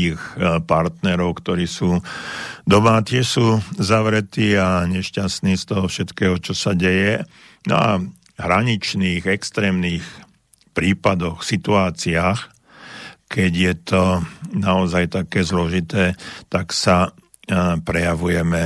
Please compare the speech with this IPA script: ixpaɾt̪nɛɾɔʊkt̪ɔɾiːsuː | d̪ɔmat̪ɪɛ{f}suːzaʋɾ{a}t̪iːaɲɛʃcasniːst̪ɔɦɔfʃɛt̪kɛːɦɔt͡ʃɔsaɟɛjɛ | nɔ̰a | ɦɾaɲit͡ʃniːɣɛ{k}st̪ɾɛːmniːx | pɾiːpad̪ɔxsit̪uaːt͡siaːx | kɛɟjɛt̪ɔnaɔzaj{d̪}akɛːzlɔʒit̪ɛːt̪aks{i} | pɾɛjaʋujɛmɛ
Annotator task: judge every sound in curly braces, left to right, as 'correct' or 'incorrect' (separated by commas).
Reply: incorrect, incorrect, correct, incorrect, incorrect